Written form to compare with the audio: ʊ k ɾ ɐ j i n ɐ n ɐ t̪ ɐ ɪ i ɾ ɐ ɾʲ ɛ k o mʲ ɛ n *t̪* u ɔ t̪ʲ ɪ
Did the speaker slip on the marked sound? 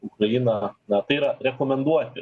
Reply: yes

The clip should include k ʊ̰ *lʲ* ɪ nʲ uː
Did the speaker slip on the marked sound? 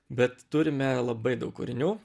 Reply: yes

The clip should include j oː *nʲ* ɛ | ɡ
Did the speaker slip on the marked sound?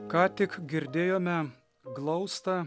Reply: yes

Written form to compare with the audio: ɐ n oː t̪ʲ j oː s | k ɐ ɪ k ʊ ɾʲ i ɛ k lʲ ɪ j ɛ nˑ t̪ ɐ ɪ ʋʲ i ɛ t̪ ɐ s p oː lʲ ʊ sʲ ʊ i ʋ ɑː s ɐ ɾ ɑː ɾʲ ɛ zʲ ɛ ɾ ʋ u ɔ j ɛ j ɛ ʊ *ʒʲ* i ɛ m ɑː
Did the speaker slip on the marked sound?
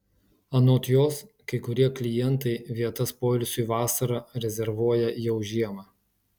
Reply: no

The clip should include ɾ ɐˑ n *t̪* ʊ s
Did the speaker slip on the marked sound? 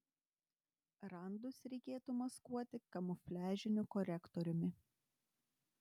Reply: yes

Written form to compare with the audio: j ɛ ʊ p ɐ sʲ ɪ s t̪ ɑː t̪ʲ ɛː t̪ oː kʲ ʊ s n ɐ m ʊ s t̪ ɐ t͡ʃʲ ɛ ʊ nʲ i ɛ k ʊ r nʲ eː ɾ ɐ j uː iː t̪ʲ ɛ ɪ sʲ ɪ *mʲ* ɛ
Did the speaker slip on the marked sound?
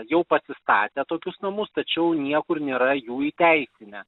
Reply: yes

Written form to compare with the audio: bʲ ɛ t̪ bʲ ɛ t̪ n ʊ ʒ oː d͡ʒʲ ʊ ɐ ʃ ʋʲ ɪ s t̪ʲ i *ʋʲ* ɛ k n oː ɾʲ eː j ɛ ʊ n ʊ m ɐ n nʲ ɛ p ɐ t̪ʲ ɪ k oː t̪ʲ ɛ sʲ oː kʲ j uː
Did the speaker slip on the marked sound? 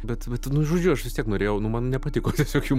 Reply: yes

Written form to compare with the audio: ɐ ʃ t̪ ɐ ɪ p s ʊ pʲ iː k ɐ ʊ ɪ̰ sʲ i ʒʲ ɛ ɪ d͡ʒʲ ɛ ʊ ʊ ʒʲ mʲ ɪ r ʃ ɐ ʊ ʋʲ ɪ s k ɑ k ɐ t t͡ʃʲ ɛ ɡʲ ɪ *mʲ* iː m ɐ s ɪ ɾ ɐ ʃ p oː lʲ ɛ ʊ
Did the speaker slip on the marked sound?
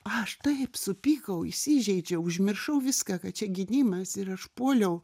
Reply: yes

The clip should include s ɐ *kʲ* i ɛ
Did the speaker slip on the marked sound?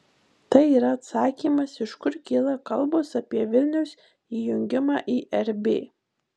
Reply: yes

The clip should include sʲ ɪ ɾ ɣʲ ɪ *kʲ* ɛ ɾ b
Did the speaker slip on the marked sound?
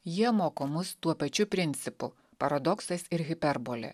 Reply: yes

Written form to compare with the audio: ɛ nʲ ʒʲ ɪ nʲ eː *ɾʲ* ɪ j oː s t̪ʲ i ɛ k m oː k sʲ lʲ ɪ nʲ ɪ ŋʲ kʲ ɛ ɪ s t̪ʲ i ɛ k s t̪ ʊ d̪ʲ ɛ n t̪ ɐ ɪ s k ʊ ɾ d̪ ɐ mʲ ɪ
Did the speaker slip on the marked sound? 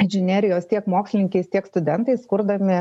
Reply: no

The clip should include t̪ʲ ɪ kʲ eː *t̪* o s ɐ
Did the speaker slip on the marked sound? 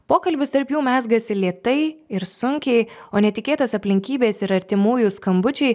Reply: no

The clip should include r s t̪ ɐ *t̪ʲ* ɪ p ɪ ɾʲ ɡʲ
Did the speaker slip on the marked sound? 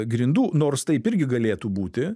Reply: yes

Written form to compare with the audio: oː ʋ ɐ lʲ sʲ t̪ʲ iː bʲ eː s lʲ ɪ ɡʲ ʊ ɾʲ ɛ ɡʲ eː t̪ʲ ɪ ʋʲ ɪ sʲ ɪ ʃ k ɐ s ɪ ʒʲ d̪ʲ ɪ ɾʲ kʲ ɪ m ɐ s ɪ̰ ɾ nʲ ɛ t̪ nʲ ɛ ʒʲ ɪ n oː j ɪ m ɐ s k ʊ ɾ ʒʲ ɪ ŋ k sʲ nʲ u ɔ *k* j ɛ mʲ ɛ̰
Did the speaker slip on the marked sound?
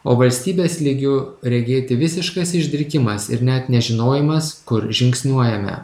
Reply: yes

